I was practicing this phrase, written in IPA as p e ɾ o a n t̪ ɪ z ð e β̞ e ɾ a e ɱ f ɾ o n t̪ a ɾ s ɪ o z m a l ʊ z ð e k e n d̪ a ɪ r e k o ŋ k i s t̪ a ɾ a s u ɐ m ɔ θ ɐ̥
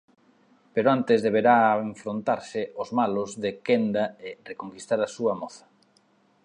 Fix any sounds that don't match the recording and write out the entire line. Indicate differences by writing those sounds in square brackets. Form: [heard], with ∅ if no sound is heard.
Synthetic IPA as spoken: p e ɾ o a n t̪ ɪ z ð e β̞ e ɾ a e ɱ f ɾ o n t̪ a ɾ s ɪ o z m a l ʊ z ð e k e n d̪ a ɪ r e k o ŋ k i s t̪ a ɾ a s u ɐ m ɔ θ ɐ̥